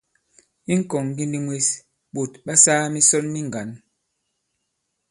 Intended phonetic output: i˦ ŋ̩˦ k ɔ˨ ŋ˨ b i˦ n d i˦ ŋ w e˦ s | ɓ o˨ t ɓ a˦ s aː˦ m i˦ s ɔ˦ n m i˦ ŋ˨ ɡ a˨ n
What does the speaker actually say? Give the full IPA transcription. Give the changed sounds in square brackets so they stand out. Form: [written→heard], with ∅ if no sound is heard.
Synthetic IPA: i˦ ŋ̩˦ k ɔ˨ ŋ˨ [b→ɡ] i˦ n d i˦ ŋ w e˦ s | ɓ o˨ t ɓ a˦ s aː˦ m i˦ s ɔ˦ n m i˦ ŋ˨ ɡ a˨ n